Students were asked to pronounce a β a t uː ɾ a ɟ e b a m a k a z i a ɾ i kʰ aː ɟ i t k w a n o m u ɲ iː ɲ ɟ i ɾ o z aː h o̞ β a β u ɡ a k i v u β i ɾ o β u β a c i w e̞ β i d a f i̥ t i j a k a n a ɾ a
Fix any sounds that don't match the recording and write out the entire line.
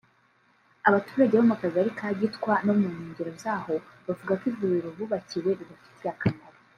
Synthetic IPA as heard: a β a t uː ɾ a ɟ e β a m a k a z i a ɾ i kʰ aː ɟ i t k w a n o m u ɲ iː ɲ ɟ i ɾ o z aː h o̞ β a v u ɡ a k i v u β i ɾ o β u β a c i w e̞ β i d a f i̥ t i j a k a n a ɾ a